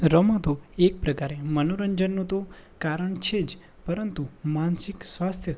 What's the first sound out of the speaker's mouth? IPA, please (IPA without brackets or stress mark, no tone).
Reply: ɾ